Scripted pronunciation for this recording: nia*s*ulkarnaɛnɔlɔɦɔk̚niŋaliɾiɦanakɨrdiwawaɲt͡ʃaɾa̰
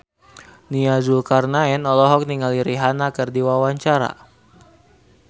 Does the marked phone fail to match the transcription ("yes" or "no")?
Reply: yes